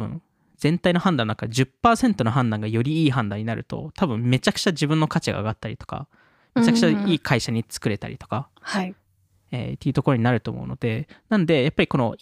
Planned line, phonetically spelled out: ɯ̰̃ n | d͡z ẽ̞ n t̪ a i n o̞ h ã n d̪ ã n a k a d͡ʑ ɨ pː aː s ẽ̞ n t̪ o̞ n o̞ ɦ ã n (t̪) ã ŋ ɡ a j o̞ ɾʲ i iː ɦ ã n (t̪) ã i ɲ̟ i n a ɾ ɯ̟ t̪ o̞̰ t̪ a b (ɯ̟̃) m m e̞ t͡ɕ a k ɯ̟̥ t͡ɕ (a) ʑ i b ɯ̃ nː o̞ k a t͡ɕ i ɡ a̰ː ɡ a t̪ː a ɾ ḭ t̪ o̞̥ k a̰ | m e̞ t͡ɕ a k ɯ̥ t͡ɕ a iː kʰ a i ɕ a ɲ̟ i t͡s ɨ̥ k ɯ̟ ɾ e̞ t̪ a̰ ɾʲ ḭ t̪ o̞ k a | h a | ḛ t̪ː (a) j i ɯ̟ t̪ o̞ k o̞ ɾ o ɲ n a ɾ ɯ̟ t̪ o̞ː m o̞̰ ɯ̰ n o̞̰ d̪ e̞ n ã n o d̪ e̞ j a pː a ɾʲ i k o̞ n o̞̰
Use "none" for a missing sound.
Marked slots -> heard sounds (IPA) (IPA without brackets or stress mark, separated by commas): d̪, d̪, ɯ̟̃, a, e